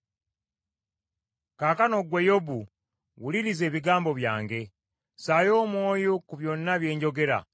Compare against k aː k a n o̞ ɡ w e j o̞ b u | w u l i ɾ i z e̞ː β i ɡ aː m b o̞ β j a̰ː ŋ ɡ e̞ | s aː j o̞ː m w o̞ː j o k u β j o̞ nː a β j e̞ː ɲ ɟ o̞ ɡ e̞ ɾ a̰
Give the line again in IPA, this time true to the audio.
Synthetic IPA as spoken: k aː k a n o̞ ɡ w e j o̞ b u | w u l i ɾ i z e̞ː β i ɡ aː m b o̞ β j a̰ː ŋ ɡ e̞ | s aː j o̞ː m w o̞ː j o k u β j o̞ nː a β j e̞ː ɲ ɟ o̞ ɡ e̞ ɾ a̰